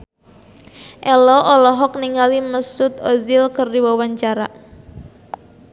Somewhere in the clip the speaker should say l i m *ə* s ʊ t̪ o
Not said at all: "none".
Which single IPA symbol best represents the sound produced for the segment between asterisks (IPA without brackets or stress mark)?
ə